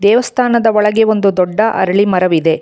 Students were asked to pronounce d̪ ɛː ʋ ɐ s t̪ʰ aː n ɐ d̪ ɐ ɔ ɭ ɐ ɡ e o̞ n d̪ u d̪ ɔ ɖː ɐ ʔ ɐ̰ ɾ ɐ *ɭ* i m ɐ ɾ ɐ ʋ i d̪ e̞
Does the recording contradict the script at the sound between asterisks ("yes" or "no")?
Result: no